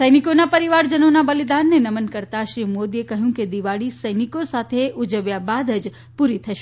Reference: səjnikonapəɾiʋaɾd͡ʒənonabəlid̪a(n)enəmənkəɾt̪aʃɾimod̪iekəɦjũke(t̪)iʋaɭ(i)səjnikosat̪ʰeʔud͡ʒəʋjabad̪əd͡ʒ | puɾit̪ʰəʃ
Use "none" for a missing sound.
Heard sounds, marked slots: nː, d̪, i

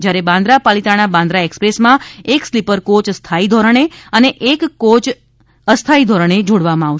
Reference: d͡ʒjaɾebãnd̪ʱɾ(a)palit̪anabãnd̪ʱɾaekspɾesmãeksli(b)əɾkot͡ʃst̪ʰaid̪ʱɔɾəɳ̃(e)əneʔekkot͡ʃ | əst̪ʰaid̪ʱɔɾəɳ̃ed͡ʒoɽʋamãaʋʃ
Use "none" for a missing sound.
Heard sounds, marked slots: a, p, e

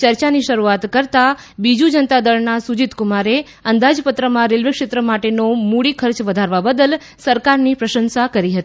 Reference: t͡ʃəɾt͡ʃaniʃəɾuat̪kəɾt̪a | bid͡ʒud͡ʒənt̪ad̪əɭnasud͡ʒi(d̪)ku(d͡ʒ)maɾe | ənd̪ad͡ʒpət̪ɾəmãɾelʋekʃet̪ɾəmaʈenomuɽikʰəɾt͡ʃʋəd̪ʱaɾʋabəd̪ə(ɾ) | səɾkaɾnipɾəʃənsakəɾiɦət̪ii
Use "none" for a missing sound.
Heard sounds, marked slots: t̪, none, l

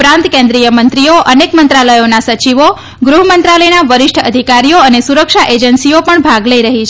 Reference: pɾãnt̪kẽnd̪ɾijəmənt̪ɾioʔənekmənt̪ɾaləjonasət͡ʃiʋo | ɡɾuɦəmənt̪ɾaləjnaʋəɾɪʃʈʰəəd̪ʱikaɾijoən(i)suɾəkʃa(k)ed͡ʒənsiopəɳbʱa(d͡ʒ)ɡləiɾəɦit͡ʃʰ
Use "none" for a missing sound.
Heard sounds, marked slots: e, ʔ, none

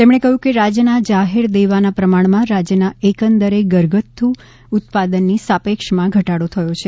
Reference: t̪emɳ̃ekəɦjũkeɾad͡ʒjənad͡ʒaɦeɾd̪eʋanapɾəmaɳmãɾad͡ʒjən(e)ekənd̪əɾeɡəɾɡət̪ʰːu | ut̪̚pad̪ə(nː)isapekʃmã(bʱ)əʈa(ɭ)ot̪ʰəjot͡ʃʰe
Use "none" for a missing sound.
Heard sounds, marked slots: a, nː, ɡʱ, ɽ

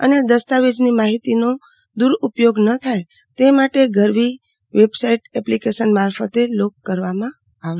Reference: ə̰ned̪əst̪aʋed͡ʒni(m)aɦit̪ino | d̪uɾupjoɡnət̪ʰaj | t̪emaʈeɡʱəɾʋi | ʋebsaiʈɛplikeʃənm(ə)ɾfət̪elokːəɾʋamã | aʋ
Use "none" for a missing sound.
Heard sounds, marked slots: m, a

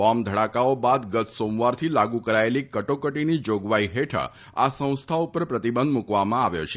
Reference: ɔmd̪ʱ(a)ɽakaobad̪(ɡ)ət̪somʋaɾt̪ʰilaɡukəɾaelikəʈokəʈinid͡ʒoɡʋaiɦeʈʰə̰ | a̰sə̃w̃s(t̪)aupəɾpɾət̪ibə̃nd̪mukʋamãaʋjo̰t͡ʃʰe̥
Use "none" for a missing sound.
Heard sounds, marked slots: ə, ɡ, t̪ʰ

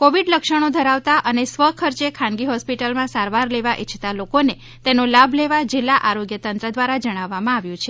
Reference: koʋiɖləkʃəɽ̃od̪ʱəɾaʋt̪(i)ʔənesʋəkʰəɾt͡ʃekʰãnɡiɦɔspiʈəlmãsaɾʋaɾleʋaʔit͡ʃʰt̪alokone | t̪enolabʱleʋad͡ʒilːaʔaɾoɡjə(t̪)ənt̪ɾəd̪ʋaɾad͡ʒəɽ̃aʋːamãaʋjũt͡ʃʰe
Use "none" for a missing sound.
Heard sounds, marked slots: a, t̪

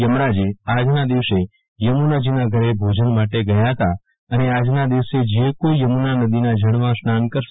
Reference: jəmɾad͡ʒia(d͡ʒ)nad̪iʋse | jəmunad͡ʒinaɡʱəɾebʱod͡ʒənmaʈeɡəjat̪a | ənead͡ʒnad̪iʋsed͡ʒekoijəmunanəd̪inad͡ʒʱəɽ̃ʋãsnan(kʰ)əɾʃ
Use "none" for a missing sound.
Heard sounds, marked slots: d͡ʒ, k

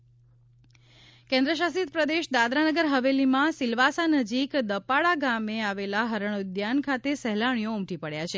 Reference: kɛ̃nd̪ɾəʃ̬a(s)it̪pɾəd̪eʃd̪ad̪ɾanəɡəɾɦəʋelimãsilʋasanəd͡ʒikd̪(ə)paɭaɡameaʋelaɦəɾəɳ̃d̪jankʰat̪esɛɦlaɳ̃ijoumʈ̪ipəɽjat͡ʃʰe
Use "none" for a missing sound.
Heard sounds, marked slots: s, ə

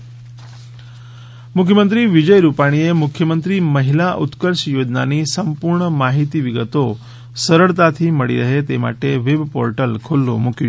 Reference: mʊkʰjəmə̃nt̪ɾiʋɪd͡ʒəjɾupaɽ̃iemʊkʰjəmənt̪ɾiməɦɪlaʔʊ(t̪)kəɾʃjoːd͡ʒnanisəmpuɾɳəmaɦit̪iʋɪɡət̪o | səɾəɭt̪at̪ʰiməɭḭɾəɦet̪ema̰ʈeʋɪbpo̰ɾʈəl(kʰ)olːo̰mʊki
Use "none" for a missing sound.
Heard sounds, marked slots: t̪, kʰ

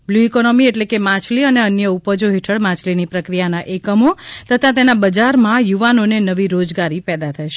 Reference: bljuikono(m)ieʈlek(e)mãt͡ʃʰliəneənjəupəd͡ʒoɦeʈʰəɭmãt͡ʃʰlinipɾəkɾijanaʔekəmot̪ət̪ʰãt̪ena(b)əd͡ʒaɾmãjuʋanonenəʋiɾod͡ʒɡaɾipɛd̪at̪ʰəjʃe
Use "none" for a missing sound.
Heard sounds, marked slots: m, e, b

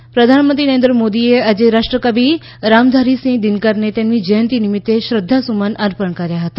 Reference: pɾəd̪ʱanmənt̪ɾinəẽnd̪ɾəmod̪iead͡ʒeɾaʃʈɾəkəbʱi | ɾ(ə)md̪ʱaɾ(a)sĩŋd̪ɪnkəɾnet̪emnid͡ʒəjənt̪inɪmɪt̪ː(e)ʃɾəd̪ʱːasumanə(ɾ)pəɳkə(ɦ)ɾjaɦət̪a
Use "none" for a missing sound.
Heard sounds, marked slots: a, i, e, ɾ, none

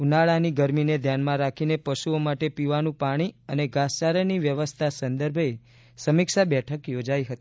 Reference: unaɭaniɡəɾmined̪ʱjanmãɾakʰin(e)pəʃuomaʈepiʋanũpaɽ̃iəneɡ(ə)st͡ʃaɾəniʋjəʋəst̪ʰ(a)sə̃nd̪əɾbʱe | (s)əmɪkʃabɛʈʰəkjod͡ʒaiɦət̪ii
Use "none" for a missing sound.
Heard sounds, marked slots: e, a, a, s

